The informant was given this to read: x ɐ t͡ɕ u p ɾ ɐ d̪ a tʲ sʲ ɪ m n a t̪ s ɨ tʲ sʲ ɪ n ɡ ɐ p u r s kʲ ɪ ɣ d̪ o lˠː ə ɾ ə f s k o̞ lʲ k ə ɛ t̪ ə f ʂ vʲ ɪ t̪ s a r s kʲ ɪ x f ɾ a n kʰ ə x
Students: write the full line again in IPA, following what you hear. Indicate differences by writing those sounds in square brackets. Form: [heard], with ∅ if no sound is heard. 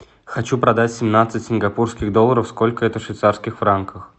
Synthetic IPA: x ɐ t͡ɕ u p ɾ ɐ d̪ a tʲ sʲ ɪ m n a t̪ s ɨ tʲ sʲ ɪ n ɡ ɐ p u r s kʲ ɪ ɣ d̪ o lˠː ə ɾ ə f s k o̞ lʲ k ə ɛ t̪ ə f ʂ vʲ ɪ t̪ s a r s kʲ ɪ x f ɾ a n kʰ ə x